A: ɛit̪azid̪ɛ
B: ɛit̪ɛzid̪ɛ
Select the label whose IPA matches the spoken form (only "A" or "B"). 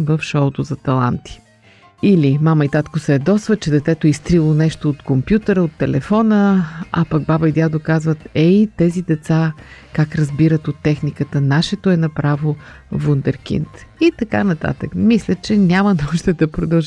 B